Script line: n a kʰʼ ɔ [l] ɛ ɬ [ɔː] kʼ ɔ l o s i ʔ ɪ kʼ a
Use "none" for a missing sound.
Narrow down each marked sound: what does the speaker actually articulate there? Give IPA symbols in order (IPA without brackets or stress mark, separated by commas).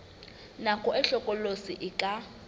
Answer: none, ɔ